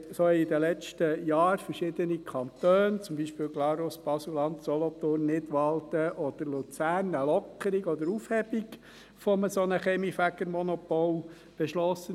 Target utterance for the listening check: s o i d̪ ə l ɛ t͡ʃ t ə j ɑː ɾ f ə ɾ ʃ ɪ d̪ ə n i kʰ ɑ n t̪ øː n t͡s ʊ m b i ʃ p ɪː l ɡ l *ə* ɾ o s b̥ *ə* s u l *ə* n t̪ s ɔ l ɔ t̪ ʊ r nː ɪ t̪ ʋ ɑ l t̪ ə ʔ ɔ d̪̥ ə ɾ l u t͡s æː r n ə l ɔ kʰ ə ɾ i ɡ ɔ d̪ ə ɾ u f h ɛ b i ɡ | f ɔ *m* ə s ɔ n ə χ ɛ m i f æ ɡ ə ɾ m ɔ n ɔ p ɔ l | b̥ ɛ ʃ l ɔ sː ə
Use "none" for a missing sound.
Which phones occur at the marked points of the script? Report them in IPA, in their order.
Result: ɑ, ɑ, ɑ, m

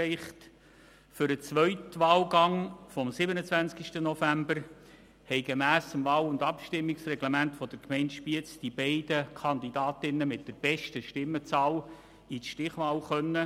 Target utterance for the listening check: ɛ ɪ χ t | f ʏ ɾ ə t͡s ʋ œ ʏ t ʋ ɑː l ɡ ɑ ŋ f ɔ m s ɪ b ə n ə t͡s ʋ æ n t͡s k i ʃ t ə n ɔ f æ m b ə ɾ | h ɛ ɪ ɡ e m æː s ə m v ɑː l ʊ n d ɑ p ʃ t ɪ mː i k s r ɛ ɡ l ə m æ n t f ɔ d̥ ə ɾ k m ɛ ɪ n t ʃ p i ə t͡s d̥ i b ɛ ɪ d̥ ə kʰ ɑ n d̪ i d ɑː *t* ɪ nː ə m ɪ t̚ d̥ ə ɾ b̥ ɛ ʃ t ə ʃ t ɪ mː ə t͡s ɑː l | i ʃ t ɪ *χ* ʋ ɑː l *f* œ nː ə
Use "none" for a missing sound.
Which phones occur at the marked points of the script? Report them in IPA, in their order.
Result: t, χ, χ

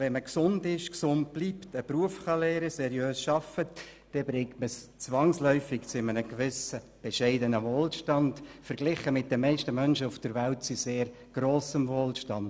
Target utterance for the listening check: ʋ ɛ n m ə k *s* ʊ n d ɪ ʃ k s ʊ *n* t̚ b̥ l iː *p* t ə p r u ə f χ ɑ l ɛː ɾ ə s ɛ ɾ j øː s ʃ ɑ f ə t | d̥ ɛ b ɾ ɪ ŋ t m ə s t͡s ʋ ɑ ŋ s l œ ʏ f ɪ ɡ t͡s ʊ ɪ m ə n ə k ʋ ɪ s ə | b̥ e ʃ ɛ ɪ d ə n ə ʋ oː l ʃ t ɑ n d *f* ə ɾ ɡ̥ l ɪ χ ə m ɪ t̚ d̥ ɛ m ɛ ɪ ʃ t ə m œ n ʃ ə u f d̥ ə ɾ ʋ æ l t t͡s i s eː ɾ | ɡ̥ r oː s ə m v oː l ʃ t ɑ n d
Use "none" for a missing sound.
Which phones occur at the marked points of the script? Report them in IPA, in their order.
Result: s, n, p, f

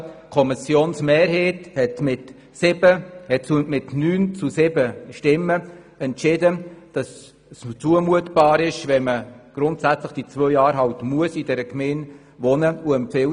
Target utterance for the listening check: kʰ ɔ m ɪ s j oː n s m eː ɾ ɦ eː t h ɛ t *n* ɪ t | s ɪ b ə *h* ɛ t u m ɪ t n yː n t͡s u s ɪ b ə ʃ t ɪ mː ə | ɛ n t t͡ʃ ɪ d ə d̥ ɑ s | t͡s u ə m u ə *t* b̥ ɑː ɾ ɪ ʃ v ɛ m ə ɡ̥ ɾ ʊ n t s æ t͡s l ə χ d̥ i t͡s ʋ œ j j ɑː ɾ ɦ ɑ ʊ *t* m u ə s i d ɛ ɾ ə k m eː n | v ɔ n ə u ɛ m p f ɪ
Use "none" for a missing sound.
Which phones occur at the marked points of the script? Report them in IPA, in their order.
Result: m, h, t, t

